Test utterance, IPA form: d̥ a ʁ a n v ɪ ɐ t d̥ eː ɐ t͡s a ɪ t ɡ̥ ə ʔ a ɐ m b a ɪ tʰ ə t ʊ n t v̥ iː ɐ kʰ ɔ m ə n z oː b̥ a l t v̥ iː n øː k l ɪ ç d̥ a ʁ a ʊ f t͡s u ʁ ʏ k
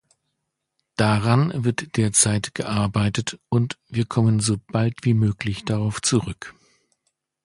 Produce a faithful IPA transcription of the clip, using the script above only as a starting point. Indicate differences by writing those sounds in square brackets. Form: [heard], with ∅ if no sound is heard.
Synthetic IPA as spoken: d̥ a ʁ a n v ɪ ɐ t d̥ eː ɐ t͡s a ɪ t ɡ̥ ə ʔ a ɐ [∅] b a ɪ [t] ə t ʊ n t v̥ iː ɐ kʰ ɔ m ə n z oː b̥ a l t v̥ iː [m] øː k l ɪ ç d̥ a ʁ a ʊ f t͡s u ʁ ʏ k